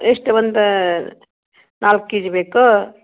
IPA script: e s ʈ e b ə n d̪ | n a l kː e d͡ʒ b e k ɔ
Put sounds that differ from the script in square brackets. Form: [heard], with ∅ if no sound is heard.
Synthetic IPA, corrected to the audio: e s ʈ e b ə n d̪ | n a l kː [i] d͡ʒ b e k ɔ